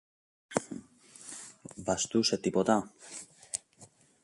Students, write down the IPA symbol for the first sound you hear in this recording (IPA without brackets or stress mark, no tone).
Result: v